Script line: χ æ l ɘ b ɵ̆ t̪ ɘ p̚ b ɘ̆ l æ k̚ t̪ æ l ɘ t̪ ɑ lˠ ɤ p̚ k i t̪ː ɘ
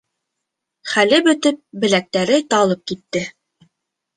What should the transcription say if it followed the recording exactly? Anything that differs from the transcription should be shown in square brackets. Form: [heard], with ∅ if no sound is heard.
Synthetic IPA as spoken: χ æ l ɘ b ɵ̆ t̪ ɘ p̚ b ɘ̆ l æ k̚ t̪ æ [ɾ] ɘ t̪ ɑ lˠ ɤ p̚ k i t̪ː ɘ